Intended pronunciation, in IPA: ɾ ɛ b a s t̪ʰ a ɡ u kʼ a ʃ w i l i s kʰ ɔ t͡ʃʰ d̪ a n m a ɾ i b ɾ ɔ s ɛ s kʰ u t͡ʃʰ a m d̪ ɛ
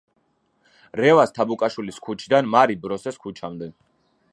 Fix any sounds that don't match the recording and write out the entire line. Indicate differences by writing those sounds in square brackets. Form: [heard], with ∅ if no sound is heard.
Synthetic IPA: ɾ ɛ [v] a s t̪ʰ a [b] u kʼ a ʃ w i l i s kʰ [u] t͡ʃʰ d̪ a n m a ɾ i b ɾ ɔ s ɛ s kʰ u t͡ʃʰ a m d̪ ɛ